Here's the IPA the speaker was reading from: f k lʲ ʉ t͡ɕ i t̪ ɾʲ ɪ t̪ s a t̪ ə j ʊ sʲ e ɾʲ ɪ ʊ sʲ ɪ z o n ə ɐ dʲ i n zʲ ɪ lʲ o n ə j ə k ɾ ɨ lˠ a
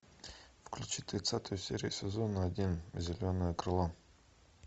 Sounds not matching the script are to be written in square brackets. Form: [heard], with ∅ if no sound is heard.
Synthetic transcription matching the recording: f k lʲ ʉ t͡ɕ i t̪ ɾʲ ɪ t̪ s a t̪ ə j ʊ sʲ e ɾʲ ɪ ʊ sʲ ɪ z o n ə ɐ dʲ i n zʲ ɪ lʲ o n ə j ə k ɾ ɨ lˠ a

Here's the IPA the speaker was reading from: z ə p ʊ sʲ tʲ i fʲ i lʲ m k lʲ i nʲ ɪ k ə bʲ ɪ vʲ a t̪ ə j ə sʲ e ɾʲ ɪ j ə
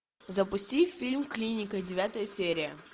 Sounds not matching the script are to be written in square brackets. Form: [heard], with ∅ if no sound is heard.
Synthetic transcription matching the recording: z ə p ʊ sʲ tʲ i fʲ i lʲ m k lʲ i nʲ ɪ k ə [dʲ] ɪ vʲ a t̪ ə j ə sʲ e ɾʲ ɪ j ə

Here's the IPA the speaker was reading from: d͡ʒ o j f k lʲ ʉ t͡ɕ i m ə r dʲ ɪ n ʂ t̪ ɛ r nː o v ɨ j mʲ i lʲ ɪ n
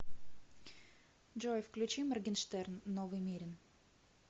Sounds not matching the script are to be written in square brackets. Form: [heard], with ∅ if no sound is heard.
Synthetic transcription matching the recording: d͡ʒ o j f k lʲ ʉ t͡ɕ i m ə r [ɡʲ] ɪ n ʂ t̪ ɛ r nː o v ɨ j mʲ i [ɾʲ] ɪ n

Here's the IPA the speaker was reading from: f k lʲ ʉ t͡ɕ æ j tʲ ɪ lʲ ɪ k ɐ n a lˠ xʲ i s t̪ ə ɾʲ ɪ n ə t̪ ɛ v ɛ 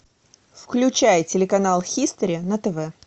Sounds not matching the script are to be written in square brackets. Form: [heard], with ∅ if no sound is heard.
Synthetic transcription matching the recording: f k lʲ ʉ t͡ɕ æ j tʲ ɪ lʲ ɪ k ɐ n a lˠ xʲ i s t̪ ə ɾʲ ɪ n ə t̪ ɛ v ɛ

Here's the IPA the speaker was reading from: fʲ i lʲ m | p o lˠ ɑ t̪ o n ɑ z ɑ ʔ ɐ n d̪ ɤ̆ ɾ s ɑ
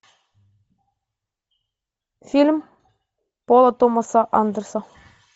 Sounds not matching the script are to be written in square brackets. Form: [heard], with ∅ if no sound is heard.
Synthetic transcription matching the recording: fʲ i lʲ m | p o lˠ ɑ t̪ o [m] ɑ [s] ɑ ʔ [ɑ] n d̪ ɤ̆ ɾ s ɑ

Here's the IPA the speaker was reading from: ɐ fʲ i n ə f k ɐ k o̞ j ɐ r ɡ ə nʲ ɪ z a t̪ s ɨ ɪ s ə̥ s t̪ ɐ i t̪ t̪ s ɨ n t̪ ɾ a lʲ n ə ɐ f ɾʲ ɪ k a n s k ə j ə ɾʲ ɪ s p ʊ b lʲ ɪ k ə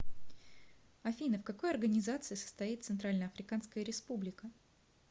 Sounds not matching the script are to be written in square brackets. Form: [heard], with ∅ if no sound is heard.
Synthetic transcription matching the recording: ɐ fʲ i n ə f k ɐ k o̞ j ɐ r ɡ ə nʲ ɪ z a t̪ s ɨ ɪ s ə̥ s t̪ ɐ i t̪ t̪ s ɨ n t̪ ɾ a lʲ n ə ɐ f ɾʲ ɪ k a n s k ə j ə ɾʲ ɪ s p [u] b lʲ ɪ k ə

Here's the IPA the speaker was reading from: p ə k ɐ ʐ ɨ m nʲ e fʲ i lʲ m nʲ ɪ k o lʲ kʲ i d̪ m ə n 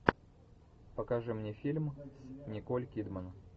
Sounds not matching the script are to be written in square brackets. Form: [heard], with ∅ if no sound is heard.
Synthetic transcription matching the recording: p ə k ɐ ʐ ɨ m nʲ e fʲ i lʲ m nʲ ɪ k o lʲ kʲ i d̪ m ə n

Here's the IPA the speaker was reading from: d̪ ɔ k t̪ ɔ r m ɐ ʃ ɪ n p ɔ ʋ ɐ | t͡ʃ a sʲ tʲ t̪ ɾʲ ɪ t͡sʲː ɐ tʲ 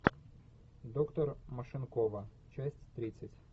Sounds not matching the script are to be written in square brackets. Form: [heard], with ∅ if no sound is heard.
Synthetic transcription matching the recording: d̪ ɔ k t̪ ɔ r m ɐ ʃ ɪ n [k] ɔ ʋ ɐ | t͡ʃ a sʲ tʲ t̪ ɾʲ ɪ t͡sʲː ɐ tʲ

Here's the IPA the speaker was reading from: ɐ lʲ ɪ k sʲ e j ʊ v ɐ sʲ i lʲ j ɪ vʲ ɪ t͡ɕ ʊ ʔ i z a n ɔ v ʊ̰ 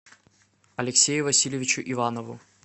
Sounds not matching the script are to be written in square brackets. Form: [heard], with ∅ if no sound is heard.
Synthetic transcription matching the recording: ɐ lʲ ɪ k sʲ e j ʊ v ɐ sʲ i lʲ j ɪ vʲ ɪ t͡ɕ ʊ ʔ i [v] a n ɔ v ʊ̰

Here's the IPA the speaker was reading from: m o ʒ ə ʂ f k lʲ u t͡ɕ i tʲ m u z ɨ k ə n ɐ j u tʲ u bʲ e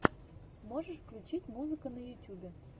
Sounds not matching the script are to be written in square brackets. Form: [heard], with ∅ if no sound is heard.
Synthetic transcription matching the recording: m o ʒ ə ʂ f k lʲ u t͡ɕ i tʲ m u z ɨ k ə n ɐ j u tʲ u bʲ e

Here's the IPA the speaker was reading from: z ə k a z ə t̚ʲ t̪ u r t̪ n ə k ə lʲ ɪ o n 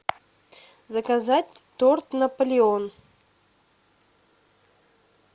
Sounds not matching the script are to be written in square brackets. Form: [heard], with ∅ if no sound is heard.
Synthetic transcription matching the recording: z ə k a z [a] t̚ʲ t̪ [o] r t̪ n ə [p] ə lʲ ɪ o n

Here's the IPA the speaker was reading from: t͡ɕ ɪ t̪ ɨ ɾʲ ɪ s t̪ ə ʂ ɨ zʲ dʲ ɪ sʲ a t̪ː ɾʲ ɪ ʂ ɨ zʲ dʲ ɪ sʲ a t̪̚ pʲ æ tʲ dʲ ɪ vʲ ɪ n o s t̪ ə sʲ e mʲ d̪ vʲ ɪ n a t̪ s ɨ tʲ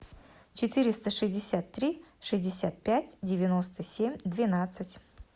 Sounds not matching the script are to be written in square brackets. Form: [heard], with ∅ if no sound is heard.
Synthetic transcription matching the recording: t͡ɕ ɪ t̪ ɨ ɾʲ ɪ s t̪ ə ʂ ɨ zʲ dʲ ɪ sʲ a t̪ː ɾʲ [i] ʂ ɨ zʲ dʲ ɪ sʲ a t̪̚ pʲ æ tʲ dʲ ɪ vʲ ɪ n o s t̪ ə sʲ e mʲ d̪ vʲ ɪ n a t̪ s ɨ tʲ

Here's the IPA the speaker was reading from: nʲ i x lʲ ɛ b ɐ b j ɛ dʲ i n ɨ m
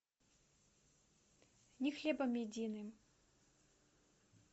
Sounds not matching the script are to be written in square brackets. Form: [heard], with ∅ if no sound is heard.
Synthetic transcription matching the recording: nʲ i x lʲ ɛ b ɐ [m] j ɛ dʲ i n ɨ m

